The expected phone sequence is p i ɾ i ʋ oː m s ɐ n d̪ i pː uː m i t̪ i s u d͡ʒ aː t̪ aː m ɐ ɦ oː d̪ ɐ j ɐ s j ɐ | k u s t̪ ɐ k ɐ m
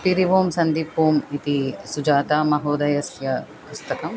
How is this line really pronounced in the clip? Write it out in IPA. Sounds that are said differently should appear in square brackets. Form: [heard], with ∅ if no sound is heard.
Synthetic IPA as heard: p i ɾ i ʋ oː m s ɐ n d̪ i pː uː m i t̪ i s u d͡ʒ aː t̪ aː m ɐ ɦ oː d̪ ɐ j ɐ s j ɐ | [p] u s t̪ ɐ k ɐ m